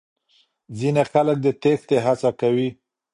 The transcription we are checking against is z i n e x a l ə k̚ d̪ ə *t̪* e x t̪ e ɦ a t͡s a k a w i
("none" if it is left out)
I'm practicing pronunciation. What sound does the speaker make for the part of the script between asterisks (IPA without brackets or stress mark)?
t̪